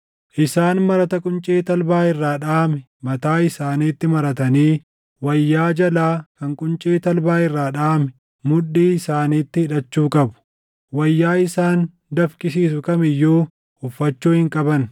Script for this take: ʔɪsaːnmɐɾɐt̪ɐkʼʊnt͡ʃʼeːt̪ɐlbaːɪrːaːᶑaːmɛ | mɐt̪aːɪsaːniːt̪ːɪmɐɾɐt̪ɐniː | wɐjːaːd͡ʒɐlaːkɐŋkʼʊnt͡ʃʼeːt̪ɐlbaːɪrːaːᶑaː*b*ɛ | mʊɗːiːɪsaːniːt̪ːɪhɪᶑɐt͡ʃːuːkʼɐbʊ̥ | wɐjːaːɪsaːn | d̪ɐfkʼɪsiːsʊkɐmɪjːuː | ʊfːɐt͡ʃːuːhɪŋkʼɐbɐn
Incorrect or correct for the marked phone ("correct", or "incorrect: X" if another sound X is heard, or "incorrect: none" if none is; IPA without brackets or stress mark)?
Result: incorrect: m